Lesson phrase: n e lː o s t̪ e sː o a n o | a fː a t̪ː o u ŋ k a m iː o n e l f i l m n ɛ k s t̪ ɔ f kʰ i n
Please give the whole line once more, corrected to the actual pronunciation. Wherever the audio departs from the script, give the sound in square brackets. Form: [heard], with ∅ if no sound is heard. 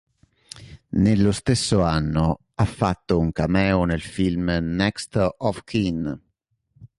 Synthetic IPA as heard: n e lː o s t̪ e sː o a [nː] o | a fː a t̪ː o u ŋ k a m [ɛː] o n e l f i l m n ɛ k s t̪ ɔ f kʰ i n